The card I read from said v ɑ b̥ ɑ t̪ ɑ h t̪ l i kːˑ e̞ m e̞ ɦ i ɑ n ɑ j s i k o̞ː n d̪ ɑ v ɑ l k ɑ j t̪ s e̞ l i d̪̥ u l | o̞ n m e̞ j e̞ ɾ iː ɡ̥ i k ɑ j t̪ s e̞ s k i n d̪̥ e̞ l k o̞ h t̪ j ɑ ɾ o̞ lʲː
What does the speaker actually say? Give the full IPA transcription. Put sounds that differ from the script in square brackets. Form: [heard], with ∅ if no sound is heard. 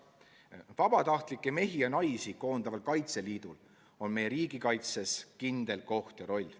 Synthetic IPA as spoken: v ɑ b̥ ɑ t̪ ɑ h t̪ l i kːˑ e̞ m e̞ ɦ i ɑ n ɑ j s i k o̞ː n d̪ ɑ v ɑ l k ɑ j t̪ s e̞ l [iː] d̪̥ u l | o̞ n m e̞ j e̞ ɾ iː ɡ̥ i k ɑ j t̪ s e̞ s k i n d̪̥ e̞ l k o̞ h t̪ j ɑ ɾ o̞ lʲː